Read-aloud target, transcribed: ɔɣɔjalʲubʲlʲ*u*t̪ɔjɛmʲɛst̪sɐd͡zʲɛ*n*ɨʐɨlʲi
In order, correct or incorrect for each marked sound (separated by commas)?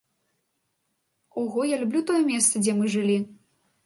correct, incorrect